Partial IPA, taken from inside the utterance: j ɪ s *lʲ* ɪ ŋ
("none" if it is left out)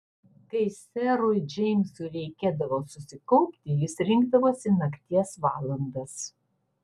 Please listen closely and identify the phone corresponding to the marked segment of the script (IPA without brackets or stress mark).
ɾʲ